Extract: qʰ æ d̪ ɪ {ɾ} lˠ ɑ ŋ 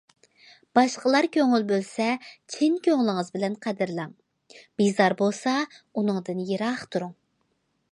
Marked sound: correct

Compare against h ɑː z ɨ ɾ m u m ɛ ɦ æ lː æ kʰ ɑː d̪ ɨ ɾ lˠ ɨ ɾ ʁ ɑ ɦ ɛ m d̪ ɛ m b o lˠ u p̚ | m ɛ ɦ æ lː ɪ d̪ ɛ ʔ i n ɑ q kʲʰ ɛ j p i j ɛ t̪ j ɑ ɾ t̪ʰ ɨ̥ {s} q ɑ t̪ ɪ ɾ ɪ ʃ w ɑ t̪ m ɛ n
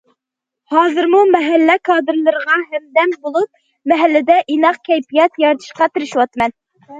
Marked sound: incorrect: ʃ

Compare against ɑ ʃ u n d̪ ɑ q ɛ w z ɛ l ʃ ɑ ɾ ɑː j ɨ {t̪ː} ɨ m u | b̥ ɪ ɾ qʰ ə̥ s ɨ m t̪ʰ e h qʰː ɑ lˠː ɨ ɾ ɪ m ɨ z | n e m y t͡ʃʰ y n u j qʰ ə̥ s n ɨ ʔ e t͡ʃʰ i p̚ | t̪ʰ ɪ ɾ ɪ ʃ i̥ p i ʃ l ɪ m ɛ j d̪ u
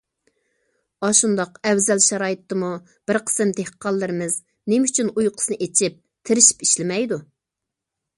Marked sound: correct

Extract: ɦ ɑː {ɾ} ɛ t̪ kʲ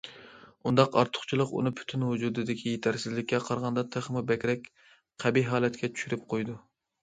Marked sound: incorrect: l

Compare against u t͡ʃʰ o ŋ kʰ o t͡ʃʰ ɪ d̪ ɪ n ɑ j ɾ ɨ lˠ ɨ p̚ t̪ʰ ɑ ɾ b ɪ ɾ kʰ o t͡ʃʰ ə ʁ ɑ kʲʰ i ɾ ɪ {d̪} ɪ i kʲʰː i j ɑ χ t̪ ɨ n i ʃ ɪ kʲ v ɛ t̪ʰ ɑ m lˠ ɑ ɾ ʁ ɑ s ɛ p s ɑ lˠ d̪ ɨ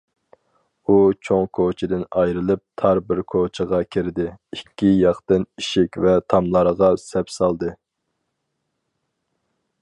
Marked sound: correct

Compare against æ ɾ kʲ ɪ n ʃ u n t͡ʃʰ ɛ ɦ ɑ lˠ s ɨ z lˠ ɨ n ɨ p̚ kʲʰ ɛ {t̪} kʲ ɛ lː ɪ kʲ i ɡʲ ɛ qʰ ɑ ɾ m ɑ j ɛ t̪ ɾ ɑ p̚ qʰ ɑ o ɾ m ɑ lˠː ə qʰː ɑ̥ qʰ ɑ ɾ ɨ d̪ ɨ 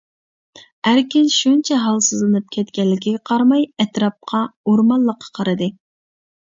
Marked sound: correct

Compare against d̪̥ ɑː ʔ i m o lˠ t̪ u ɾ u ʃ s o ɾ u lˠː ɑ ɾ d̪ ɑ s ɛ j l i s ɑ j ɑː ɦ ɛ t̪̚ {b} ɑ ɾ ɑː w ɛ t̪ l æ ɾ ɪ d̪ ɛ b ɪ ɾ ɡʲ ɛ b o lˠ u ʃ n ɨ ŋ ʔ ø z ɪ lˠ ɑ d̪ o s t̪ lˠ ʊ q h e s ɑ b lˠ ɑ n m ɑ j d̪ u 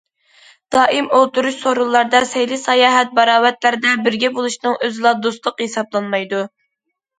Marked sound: correct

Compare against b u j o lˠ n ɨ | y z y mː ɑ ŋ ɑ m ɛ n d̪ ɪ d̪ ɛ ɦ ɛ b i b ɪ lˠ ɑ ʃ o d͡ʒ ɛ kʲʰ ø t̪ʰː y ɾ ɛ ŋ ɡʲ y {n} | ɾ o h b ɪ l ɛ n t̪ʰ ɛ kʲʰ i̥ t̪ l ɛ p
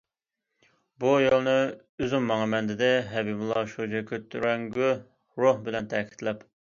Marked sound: incorrect: none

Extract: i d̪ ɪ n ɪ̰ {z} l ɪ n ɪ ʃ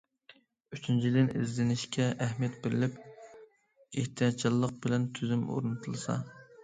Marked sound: correct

